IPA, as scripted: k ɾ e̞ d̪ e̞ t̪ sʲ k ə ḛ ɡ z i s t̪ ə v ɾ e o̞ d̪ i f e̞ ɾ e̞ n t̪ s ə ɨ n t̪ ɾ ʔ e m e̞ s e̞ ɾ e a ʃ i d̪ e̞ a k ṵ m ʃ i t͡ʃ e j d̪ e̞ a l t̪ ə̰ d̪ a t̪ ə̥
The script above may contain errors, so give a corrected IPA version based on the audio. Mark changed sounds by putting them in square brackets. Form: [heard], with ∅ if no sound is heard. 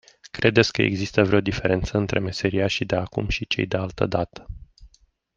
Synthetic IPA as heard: k ɾ e̞ d̪ e̞ t̪ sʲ k ə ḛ ɡ z i s t̪ ə v ɾ e o̞ d̪ i f e̞ ɾ e̞ n t̪ s ə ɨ n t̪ ɾ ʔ e m e̞ s e̞ ɾ [i] a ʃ i d̪ e̞ a k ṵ m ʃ i t͡ʃ e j d̪ e̞ a l t̪ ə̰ d̪ a t̪ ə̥

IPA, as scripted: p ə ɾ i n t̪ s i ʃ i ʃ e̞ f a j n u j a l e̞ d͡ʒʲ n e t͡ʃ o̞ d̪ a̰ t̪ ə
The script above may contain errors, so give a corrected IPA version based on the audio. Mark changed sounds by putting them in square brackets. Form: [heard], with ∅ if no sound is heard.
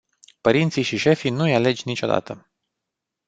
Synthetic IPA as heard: p ə ɾ i n t̪ s i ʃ i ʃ e̞ f [i] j n u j a l e̞ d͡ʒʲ n [i] t͡ʃ o̞ d̪ a̰ t̪ ə

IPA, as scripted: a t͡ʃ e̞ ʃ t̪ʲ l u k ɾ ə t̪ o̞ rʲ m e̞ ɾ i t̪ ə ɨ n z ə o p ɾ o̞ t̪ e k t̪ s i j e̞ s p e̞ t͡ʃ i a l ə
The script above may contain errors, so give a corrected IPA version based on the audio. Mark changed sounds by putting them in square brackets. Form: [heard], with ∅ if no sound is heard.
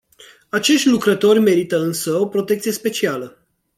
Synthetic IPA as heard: a t͡ʃ e̞ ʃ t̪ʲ l u k ɾ ə t̪ o̞ rʲ m e̞ ɾ i t̪ ə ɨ n [s] ə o p ɾ o̞ t̪ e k t̪ s i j e̞ s p e̞ t͡ʃ i a l ə

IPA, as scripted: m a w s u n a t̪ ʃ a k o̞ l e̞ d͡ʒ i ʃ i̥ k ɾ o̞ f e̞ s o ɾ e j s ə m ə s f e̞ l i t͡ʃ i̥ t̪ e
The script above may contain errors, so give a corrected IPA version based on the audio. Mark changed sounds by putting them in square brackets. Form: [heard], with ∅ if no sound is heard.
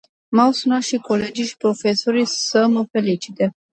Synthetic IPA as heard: m a w s u n a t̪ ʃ [i] k o̞ l e̞ d͡ʒ i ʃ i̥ [p] ɾ o̞ f e̞ s o ɾ [i] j s ə m ə [∅] f e̞ l i t͡ʃ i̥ t̪ e

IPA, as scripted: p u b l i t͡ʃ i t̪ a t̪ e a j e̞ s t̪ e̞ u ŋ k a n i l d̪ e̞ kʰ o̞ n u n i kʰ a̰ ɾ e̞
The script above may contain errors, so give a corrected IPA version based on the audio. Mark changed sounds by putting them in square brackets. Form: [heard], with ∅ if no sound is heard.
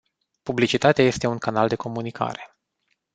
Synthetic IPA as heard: p u b l i t͡ʃ i t̪ a t̪ e a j e̞ s t̪ e̞ u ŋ k a n [a] l d̪ e̞ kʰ o̞ [m] u n i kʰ a̰ ɾ e̞

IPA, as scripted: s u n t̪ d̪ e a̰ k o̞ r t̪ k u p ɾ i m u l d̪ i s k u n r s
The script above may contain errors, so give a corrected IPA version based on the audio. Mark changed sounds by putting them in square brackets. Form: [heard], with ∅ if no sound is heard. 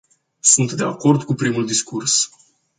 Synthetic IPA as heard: s u n t̪ d̪ e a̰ k o̞ r [d̪] k u p ɾ i m u l d̪ i s k u [∅] r s

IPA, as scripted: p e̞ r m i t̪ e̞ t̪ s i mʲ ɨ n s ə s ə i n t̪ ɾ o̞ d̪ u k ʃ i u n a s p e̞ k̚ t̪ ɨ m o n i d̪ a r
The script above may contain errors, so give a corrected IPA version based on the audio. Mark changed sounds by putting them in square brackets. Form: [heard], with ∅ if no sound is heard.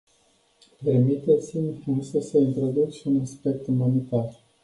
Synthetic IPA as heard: p e̞ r m i t̪ e̞ t̪ s i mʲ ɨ n s ə s ə i n t̪ ɾ o̞ d̪ u k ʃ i u n a s p e̞ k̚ t̪ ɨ m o n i [t̪] a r

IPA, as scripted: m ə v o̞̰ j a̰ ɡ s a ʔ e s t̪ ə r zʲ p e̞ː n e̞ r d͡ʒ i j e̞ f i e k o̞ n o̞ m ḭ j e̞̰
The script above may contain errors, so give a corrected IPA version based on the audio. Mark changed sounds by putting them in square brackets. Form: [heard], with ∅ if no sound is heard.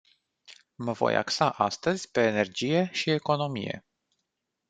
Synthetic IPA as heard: m ə v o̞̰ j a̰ [k] s a ʔ [a] s t̪ ə [∅] zʲ p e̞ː n e̞ r d͡ʒ i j e̞ [ʃ] i e k o̞ n o̞ m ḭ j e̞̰

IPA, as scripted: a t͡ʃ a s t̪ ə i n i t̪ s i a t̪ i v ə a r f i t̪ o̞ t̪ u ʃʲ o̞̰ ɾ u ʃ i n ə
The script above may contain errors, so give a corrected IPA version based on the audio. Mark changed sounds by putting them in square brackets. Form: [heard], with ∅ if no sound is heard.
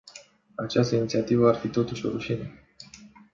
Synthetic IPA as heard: a t͡ʃ a s t̪ ə i n i t̪ s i a t̪ i v ə a r f i t̪ o̞ t̪ u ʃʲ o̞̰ ɾ u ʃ i n ə

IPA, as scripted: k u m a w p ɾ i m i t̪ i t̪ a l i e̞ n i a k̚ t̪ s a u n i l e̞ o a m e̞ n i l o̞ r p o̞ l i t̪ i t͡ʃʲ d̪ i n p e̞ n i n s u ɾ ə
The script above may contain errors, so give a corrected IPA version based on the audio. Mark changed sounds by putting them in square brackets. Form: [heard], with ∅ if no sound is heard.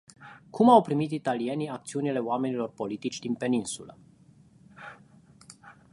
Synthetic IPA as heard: k u m a w p ɾ i m i t̪ i t̪ a l i e̞ n i a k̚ t̪ s [i] u n i l e̞ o a m e̞ n i l o̞ r p o̞ l i t̪ i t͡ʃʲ d̪ i n p e̞ n i n s u [l] ə

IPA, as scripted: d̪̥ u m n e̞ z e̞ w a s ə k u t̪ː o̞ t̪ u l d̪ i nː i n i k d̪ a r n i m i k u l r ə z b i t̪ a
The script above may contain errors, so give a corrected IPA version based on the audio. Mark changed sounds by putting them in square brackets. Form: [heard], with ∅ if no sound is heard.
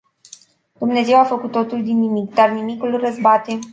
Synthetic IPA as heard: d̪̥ u m n e̞ z e̞ w a [f] ə k u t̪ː o̞ t̪ u l d̪ i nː i [m] i k d̪ a r n i m i k u l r ə z b [a] t̪ [e]

